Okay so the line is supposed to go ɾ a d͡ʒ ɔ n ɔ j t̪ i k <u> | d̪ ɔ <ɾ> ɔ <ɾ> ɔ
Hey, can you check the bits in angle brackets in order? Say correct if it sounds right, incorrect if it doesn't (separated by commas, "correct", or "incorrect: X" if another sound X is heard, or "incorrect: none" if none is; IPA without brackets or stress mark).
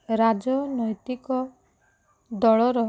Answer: incorrect: ɔ, incorrect: ɭ, correct